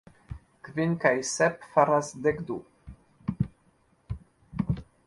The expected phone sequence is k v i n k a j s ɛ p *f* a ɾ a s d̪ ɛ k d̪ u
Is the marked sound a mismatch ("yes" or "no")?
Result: no